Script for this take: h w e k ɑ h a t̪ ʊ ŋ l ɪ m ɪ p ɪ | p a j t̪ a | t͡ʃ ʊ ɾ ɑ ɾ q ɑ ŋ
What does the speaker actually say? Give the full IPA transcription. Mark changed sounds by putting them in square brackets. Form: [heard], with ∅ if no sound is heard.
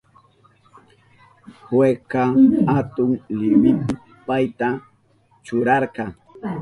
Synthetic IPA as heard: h w e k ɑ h a t̪ ʊ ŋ l ɪ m ɪ p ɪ | p a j t̪ a | t͡ʃ ʊ ɾ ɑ ɾ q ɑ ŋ